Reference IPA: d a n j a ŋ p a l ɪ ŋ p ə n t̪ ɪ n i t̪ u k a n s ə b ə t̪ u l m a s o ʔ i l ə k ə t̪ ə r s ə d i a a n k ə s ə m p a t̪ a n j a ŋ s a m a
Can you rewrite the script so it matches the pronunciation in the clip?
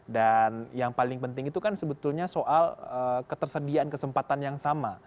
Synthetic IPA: d a n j a ŋ p a l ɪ ŋ p ə n t̪ ɪ ŋ i t̪ u k a n s ə b ə t̪ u l ɲ a s o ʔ a l ə k ə t̪ ə r s ə d i a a n k ə s ə m p a t̪ a n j a ŋ s a m a